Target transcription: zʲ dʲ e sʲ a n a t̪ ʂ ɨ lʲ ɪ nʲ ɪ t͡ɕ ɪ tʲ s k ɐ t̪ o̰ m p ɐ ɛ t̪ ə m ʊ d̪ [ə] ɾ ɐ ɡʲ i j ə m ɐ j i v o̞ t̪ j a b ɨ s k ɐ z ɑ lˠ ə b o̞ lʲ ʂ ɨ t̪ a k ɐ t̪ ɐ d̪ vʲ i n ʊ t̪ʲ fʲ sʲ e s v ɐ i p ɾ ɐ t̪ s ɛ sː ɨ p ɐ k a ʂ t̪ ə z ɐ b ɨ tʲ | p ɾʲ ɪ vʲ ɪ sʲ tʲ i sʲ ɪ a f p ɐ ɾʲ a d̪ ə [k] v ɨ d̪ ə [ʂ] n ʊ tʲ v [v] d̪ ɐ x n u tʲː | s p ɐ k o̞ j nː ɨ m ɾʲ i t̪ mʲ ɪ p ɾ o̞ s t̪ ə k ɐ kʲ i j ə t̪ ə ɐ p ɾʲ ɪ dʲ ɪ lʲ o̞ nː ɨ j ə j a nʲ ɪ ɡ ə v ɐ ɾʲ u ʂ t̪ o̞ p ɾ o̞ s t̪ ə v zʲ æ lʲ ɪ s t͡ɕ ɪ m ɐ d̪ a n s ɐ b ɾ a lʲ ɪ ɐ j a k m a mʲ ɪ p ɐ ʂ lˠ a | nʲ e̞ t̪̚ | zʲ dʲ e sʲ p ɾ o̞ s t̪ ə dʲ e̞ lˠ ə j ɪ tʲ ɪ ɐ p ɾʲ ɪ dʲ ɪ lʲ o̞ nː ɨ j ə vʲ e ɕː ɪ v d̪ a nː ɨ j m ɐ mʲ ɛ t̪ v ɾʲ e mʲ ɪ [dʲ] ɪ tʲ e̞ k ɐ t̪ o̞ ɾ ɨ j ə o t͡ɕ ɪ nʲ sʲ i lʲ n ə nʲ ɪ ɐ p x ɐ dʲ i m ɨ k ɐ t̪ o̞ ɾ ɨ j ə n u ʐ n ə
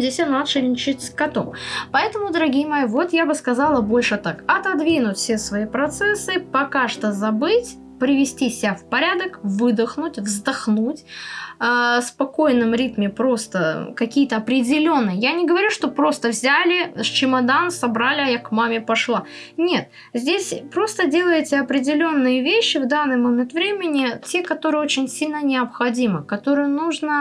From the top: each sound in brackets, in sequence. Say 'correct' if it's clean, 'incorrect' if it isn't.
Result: correct, correct, incorrect: x, incorrect: z, incorrect: nʲ

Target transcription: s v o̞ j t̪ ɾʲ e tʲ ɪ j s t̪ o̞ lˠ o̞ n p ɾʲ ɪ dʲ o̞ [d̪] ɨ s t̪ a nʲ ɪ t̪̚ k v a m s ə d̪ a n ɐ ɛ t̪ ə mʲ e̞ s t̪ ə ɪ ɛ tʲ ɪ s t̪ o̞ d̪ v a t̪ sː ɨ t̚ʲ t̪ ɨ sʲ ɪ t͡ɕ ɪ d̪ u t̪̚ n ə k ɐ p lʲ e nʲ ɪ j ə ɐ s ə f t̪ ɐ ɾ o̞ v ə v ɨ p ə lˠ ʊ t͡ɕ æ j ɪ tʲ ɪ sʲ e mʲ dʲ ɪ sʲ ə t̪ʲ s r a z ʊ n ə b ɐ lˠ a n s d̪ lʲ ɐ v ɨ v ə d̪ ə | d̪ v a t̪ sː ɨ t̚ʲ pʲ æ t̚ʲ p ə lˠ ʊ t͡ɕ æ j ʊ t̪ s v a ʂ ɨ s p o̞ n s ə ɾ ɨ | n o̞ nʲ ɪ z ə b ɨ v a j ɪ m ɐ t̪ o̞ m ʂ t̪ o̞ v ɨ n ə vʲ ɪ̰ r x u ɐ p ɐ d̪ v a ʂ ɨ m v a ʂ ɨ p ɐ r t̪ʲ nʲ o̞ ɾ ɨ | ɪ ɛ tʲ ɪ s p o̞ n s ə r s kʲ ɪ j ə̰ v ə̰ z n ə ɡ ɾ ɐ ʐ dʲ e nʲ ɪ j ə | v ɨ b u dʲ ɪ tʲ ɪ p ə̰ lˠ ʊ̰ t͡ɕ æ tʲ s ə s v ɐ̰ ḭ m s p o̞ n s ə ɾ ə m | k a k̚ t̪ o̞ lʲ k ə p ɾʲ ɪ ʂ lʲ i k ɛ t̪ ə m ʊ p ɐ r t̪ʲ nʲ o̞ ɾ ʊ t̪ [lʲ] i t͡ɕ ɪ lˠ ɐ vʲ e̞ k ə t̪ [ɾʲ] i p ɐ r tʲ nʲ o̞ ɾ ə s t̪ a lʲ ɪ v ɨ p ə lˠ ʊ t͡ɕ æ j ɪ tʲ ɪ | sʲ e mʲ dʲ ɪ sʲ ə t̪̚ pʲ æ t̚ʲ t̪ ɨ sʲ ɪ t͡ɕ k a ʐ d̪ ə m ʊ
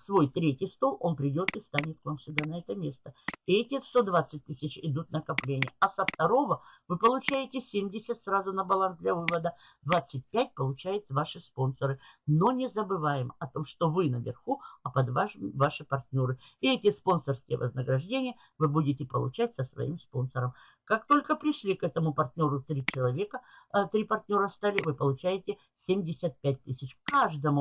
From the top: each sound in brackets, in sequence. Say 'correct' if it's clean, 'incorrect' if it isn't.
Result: incorrect: t̪, incorrect: ɾʲ, correct

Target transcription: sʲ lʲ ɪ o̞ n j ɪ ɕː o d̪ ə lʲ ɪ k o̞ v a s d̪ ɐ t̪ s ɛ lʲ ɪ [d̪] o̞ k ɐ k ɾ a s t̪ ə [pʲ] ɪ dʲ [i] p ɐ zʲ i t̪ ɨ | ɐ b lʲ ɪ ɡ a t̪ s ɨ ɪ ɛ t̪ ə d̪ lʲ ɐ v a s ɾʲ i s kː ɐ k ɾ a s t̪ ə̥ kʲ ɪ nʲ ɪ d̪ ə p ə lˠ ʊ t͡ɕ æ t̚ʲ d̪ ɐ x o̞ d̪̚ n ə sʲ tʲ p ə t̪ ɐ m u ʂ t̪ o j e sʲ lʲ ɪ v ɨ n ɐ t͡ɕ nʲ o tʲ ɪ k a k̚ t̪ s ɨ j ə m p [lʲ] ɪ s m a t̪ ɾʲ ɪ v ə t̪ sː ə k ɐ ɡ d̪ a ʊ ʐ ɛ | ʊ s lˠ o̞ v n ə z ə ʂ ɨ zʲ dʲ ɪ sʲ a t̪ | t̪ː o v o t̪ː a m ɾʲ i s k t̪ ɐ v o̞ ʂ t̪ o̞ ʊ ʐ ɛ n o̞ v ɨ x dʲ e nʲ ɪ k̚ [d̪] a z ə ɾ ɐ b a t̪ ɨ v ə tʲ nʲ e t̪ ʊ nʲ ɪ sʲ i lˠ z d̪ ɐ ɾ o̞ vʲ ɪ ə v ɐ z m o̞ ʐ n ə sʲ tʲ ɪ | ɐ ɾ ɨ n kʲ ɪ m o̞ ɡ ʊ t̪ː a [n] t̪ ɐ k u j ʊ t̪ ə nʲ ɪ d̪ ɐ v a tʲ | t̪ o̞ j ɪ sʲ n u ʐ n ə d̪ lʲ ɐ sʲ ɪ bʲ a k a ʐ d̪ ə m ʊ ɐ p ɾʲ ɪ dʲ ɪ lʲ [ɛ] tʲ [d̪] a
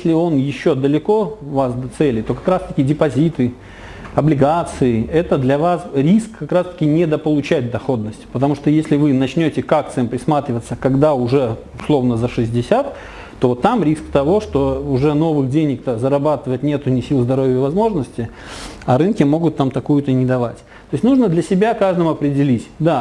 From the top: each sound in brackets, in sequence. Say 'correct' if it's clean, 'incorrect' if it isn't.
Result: incorrect: t̪, incorrect: kʲ, incorrect: ɪ, incorrect: ɾʲ, incorrect: t̪, incorrect: m, incorrect: i, correct

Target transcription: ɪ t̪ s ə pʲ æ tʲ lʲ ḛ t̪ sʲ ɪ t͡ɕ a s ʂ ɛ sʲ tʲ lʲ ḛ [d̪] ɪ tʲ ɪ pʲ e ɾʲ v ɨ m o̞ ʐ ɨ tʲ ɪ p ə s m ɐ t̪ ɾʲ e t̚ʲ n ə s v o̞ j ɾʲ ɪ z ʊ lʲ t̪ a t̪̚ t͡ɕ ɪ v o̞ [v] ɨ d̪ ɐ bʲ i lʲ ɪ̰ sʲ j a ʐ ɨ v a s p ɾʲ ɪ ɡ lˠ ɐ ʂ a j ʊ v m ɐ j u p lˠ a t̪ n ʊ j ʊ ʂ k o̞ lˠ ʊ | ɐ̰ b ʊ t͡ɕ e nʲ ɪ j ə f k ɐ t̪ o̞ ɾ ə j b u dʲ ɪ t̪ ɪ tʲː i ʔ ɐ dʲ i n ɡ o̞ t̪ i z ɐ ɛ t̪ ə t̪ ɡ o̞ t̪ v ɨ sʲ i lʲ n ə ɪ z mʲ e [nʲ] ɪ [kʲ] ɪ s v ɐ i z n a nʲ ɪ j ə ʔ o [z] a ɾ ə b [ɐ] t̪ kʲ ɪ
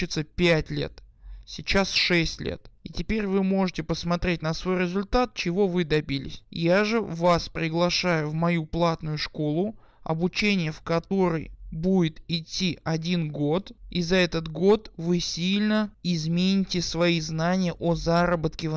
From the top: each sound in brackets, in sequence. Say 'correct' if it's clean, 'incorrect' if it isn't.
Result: incorrect: t̪, correct, correct, incorrect: tʲ, correct, incorrect: ə

